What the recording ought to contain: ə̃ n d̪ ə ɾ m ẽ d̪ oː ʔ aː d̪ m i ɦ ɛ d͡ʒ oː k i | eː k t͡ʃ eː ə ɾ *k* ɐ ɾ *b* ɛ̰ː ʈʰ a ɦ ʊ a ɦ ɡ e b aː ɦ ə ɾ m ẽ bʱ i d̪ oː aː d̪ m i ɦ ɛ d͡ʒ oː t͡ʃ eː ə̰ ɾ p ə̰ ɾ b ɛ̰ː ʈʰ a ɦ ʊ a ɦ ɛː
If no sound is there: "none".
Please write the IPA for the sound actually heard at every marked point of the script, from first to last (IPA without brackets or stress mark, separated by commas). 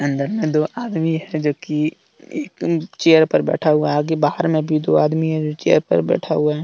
p, b